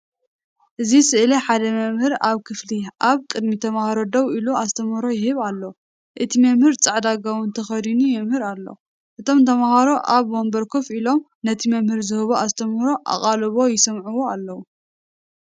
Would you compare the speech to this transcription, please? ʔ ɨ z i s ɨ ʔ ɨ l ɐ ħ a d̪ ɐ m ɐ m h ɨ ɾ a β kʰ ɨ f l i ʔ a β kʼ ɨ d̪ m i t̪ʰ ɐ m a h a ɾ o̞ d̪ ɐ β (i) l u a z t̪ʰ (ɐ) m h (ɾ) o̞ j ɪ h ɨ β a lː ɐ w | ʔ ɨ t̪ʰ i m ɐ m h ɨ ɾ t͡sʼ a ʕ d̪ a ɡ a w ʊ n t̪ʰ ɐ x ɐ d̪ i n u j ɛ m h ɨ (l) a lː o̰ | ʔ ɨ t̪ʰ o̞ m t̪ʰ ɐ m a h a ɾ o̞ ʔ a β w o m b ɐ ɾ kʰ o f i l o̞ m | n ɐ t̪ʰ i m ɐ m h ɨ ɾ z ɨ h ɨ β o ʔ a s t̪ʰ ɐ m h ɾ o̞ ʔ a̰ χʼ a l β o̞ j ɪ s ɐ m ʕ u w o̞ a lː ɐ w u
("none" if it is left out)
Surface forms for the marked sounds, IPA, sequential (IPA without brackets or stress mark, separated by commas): i, ɐ, ɾ, ɾ